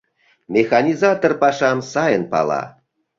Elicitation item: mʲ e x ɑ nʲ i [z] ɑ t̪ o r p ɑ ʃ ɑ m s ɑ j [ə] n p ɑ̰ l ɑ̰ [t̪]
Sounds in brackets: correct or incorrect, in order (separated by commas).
correct, correct, incorrect